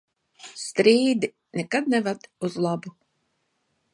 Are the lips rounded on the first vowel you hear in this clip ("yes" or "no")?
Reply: no